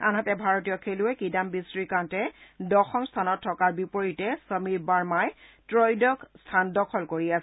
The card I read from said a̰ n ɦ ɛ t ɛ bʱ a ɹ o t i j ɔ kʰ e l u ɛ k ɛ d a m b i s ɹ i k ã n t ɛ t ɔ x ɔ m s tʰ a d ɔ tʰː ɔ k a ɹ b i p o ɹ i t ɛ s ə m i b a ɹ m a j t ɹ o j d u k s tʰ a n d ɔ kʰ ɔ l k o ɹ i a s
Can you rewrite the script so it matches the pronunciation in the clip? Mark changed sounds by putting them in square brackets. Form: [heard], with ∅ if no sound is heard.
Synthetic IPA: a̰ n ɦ [a] t ɛ bʱ a ɹ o t i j ɔ kʰ e l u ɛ k [i] d a m b i s ɹ i k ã n t ɛ [d] ɔ x ɔ m s tʰ a [n] ɔ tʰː ɔ k a ɹ b i p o ɹ i t ɛ s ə m i b a ɹ m a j t ɹ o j d [ɔ] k s tʰ a n d ɔ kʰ ɔ l k o ɹ i a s

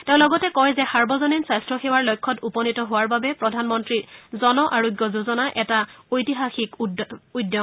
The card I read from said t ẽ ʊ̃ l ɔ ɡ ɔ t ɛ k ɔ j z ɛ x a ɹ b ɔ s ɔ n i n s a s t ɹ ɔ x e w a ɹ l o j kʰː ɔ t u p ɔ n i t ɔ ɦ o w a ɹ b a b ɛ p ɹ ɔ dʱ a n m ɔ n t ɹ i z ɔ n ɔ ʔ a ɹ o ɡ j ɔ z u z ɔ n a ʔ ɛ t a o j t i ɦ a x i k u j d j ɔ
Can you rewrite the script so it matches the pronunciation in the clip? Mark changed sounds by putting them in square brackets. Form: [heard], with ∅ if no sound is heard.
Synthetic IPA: t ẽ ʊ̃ l ɔ ɡ ɔ t ɛ k ɔ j z ɛ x a ɹ b ɔ [z] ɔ n i n s a s t ɹ ɔ x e w a ɹ l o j kʰː ɔ t u p ɔ n i t ɔ ɦ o w a ɹ b a b ɛ p ɹ ɔ dʱ a n m ɔ n t ɹ i z ɔ n ɔ ʔ a ɹ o ɡ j ɔ z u z ɔ n a ʔ ɛ t a o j t i ɦ a x i k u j d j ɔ

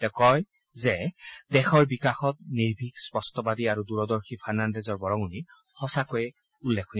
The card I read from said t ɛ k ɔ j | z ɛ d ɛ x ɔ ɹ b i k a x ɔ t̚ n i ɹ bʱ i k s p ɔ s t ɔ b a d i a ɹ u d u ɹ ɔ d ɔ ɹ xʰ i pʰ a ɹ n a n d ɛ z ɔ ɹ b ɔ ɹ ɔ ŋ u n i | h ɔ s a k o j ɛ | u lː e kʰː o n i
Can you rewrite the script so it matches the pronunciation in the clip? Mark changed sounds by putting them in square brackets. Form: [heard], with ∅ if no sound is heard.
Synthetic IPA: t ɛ k ɔ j | z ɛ d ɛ x ɔ ɹ b i k a x ɔ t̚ n i ɹ bʱ i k s p ɔ s t ɔ b a d i a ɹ u d u ɹ ɔ d ɔ ɹ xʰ i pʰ a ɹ n a n d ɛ z ɔ ɹ b ɔ ɹ ɔ ŋ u n i | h ɔ s a k o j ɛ | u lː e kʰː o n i

